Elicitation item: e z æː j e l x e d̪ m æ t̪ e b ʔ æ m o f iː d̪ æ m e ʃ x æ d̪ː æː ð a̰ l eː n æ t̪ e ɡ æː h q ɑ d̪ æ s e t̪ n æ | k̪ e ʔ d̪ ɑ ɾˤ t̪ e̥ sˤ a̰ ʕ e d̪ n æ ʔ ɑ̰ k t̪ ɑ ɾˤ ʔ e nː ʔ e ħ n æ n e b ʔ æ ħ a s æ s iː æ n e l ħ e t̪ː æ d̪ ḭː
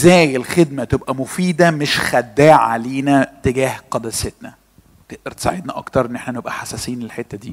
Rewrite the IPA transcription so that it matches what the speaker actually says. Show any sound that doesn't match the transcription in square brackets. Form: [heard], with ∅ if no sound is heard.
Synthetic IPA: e z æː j e l x e d̪ m æ t̪ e b ʔ æ m o f iː d̪ æ m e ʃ x æ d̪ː æː [ʕ] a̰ l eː n æ t̪ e ɡ æː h q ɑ d̪ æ s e t̪ n æ | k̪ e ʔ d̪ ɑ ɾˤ t̪ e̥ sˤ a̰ ʕ e d̪ n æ ʔ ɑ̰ k t̪ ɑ ɾˤ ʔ e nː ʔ e ħ n æ n e b ʔ æ ħ a s æ s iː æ n e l ħ e t̪ː æ d̪ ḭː